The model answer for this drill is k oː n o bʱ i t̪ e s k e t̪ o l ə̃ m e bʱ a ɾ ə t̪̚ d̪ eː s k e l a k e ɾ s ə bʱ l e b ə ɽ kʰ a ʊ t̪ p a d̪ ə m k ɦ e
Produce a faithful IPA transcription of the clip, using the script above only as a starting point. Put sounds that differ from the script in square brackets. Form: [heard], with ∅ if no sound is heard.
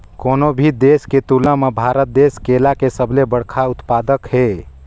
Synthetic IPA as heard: k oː n o bʱ i [d̪] e s k e t̪ [u] l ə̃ m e bʱ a ɾ ə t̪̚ d̪ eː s k e l a k e [∅] s ə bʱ l e b ə ɽ kʰ a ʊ t̪ p a d̪ ə [∅] k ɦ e